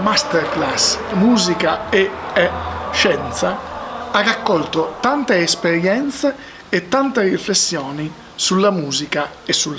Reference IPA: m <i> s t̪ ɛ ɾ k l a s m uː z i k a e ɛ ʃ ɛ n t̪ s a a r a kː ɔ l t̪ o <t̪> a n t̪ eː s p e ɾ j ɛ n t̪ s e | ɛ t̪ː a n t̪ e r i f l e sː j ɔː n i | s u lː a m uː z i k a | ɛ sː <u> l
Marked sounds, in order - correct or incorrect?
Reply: incorrect: a, correct, correct

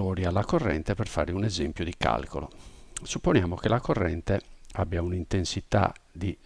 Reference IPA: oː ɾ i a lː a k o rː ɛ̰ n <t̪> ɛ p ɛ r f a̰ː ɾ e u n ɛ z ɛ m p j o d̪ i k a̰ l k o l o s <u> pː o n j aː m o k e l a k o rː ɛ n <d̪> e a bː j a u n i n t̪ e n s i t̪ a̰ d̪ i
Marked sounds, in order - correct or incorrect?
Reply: correct, correct, incorrect: t̪

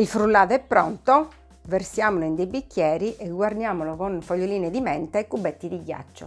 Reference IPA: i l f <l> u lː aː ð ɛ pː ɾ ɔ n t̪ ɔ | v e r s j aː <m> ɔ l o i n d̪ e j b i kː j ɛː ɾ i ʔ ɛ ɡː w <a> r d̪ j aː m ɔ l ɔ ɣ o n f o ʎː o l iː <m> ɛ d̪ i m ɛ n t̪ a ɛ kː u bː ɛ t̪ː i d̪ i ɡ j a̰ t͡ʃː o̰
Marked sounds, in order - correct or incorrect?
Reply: incorrect: ɾ, correct, correct, incorrect: n

